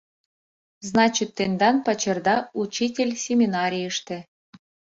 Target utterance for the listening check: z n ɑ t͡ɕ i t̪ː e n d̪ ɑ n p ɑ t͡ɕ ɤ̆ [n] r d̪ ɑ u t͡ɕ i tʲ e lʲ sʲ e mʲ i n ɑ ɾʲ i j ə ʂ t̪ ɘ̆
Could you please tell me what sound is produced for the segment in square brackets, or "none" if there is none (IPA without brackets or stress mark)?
none